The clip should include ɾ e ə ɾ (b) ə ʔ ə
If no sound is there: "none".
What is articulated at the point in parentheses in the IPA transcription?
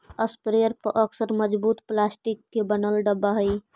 p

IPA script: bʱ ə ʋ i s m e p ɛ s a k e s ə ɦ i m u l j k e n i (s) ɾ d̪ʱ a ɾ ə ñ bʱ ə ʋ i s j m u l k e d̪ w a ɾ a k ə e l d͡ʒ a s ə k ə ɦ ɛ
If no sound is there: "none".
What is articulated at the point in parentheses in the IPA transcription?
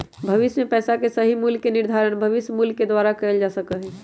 none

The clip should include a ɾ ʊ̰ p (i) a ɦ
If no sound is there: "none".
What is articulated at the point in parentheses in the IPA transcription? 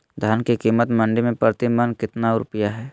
j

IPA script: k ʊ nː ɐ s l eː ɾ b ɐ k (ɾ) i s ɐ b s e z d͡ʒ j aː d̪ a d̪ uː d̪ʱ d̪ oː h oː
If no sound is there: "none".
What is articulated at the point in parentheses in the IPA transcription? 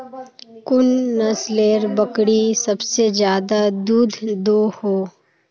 ɽ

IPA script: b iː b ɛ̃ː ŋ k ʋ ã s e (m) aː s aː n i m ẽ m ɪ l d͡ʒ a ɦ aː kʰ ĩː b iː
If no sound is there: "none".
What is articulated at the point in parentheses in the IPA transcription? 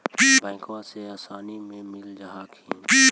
none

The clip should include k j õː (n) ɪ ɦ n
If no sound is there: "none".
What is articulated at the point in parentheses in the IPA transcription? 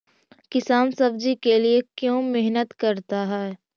m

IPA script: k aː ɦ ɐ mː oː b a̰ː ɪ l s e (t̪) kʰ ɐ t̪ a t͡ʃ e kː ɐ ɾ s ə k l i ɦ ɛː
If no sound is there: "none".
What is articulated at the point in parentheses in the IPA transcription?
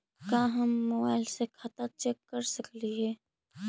none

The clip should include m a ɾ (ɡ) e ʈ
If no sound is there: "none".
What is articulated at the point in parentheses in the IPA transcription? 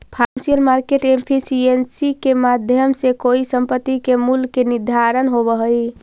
k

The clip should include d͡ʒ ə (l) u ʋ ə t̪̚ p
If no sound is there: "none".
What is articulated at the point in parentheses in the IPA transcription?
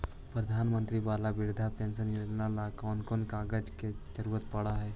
ɾ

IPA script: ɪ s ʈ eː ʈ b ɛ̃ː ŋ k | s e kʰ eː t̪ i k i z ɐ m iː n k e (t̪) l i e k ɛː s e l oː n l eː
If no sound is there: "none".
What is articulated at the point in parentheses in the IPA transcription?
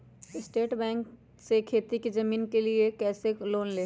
none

